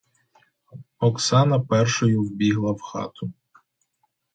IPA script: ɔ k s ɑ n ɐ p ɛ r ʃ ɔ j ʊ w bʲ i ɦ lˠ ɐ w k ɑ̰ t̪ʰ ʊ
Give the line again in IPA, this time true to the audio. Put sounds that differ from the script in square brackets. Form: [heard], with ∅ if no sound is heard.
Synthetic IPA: ɔ k s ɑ n ɐ p ɛ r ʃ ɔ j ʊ w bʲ i ɦ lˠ ɐ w [x] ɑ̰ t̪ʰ ʊ